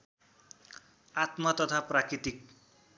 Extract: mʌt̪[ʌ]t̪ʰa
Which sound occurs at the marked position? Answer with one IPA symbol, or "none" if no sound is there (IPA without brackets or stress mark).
ʌ